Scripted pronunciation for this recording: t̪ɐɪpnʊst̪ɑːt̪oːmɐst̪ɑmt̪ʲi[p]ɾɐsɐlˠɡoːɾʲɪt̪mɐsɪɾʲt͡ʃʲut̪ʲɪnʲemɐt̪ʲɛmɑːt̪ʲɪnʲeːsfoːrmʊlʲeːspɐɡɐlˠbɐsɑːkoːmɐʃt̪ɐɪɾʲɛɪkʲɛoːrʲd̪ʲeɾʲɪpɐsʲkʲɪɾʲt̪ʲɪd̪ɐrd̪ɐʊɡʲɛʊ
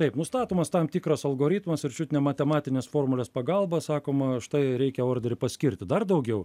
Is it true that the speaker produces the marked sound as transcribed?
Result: no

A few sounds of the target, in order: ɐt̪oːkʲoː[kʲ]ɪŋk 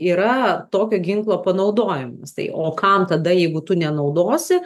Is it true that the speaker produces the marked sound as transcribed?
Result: no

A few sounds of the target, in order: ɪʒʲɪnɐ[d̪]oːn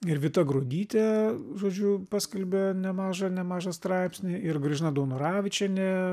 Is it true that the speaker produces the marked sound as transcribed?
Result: yes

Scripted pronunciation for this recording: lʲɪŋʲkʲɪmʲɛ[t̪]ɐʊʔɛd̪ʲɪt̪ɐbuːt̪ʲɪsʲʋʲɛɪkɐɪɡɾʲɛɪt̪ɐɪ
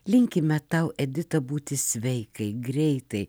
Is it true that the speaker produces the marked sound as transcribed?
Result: yes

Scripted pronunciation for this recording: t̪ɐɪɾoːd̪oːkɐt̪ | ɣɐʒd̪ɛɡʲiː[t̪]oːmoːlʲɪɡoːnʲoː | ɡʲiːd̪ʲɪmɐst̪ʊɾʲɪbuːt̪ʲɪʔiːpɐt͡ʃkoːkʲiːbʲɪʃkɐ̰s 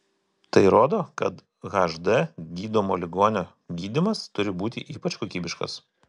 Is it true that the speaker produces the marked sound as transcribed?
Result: no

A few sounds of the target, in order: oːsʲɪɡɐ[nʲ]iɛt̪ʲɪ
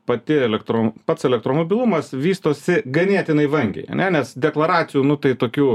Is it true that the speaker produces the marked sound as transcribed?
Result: yes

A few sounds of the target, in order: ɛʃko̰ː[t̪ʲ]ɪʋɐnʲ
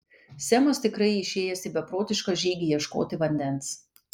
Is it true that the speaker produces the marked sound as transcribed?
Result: yes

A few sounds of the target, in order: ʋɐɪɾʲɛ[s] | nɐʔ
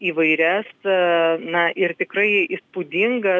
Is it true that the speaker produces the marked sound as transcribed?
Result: yes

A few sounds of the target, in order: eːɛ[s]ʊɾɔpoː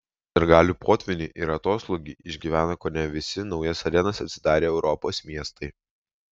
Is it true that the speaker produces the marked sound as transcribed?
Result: no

